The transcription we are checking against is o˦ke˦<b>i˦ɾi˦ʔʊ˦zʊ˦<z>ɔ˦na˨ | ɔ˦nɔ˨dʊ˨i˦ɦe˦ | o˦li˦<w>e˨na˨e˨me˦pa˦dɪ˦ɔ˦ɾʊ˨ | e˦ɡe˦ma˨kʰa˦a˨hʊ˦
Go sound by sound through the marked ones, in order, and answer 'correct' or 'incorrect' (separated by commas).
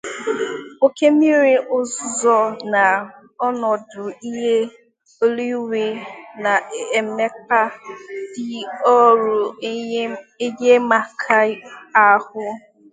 incorrect, correct, correct